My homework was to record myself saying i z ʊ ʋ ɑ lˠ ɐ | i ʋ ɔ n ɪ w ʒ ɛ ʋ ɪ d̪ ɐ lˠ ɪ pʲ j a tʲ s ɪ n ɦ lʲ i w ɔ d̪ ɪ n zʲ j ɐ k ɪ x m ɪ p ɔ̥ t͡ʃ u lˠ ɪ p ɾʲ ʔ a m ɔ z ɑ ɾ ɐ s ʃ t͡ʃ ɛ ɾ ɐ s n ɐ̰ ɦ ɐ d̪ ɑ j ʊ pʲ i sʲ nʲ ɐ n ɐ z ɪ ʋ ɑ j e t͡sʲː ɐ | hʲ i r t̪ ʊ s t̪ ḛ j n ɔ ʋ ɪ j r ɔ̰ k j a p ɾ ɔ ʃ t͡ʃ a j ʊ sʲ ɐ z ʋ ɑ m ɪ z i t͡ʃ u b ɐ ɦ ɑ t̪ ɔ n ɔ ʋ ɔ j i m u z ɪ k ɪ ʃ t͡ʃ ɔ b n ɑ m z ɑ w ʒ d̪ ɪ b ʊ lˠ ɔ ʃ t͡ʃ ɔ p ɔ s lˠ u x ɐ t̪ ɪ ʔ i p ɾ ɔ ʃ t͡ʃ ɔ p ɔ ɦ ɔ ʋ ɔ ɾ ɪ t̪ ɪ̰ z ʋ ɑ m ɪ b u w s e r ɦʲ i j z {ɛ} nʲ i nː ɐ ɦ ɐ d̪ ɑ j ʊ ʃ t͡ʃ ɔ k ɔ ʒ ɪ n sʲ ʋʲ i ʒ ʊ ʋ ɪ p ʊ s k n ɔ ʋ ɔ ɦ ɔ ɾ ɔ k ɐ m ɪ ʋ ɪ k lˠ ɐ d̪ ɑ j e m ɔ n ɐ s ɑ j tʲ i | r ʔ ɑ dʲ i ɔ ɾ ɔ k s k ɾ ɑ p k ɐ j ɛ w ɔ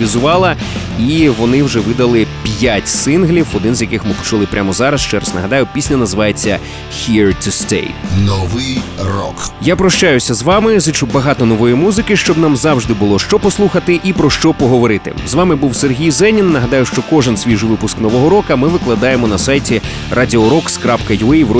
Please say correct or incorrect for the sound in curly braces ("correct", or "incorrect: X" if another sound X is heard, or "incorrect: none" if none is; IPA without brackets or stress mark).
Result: correct